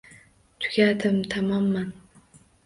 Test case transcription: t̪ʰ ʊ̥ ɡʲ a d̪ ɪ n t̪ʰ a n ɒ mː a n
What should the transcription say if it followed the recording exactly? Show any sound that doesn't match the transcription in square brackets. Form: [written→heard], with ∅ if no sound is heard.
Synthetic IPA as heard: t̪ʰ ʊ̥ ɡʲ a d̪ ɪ [n→m] t̪ʰ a [n→m] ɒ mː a n